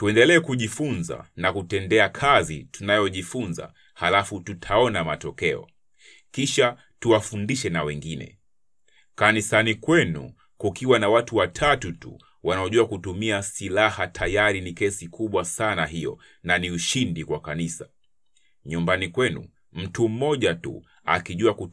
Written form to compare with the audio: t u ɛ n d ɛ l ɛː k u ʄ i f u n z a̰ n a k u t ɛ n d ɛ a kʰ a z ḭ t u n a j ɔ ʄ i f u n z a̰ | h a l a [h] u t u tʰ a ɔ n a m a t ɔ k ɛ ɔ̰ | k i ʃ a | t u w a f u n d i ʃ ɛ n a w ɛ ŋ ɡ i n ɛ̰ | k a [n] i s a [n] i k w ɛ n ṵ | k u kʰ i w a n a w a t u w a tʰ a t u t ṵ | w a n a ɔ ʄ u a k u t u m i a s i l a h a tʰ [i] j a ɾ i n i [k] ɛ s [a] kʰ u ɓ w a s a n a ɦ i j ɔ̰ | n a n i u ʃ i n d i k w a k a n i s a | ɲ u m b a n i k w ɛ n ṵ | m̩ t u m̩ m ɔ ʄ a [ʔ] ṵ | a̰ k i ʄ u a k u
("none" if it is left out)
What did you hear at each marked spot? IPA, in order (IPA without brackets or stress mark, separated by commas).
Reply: f, n, n, a, k, i, t